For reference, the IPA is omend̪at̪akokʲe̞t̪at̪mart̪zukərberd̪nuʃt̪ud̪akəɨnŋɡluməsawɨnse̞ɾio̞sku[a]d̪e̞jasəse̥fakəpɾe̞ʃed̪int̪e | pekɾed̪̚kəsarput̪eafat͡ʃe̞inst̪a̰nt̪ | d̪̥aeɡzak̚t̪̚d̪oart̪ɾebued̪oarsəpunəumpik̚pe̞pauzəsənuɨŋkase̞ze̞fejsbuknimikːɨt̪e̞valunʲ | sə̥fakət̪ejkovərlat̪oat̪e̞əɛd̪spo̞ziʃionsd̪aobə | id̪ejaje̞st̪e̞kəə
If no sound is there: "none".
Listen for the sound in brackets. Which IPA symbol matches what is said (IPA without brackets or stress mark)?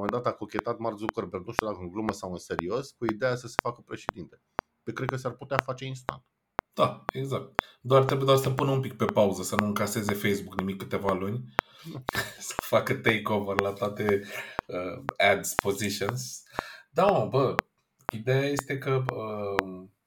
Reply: i